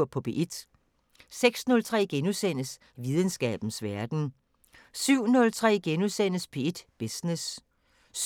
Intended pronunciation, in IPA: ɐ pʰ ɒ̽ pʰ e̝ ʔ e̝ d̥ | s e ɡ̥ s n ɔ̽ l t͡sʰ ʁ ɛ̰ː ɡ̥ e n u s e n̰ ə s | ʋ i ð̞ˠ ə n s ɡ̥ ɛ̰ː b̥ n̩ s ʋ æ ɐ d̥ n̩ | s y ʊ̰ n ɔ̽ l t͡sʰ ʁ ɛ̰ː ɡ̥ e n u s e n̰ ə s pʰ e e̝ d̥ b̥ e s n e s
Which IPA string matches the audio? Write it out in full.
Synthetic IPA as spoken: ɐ pʰ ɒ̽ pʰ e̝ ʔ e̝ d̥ | s e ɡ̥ s n ɔ̽ l t͡sʰ ʁ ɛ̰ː ɡ̥ e n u s e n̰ ə s | ʋ i ð̞ˠ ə n s ɡ̥ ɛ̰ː b̥ n̩ s ʋ æ ɐ d̥ n̩ | s y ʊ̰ n ɔ̽ l t͡sʰ ʁ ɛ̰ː ɡ̥ e n u s e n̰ ə s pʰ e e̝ d̥ b̥ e s n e s